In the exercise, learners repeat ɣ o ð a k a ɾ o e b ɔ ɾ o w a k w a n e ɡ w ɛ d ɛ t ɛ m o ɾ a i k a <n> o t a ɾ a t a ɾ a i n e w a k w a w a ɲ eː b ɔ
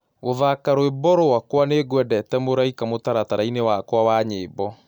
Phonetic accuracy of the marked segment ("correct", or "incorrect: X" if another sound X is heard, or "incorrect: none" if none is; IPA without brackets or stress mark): incorrect: m